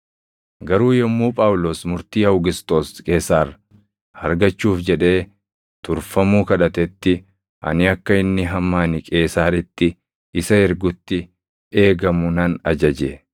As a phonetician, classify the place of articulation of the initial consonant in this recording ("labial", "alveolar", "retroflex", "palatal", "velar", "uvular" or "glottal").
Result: velar